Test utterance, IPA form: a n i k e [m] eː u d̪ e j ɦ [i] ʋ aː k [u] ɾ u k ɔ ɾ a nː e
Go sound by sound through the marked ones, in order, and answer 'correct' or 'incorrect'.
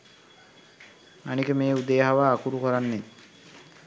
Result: correct, incorrect: a, correct

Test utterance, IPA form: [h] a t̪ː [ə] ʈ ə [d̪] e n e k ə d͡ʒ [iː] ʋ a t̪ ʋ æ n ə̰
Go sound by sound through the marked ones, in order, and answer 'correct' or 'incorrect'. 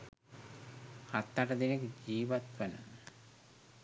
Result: correct, incorrect: a, correct, correct

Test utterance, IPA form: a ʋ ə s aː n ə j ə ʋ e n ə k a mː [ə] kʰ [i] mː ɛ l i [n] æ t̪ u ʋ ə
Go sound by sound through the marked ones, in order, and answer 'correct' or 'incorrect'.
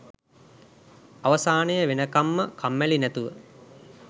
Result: correct, incorrect: a, correct

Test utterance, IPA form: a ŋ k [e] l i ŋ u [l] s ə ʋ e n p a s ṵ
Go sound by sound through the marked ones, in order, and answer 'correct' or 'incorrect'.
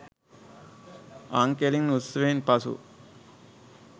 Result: correct, incorrect: none

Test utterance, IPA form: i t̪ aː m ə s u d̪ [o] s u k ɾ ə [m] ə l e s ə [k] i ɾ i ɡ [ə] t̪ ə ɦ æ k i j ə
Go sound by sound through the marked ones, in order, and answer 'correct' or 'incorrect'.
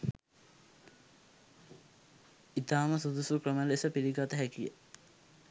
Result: incorrect: u, correct, incorrect: p, incorrect: a

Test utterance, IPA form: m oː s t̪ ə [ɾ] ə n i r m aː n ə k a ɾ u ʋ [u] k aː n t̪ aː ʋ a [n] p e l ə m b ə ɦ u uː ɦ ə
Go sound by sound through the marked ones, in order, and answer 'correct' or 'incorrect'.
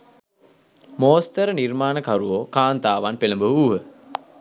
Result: correct, incorrect: o, correct

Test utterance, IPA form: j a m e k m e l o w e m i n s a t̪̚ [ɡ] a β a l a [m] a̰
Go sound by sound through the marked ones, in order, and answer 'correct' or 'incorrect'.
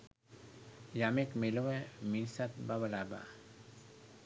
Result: incorrect: b, incorrect: b

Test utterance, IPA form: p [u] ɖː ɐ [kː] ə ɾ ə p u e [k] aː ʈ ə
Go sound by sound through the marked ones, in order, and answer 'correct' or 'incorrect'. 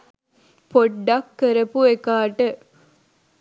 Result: incorrect: o, correct, correct

